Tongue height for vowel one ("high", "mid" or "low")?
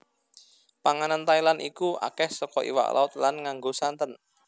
low